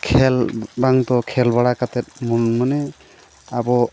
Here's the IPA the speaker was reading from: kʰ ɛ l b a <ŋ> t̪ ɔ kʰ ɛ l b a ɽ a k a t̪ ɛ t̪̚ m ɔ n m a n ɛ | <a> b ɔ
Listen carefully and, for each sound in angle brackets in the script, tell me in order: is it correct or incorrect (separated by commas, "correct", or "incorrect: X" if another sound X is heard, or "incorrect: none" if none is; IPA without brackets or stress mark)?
correct, correct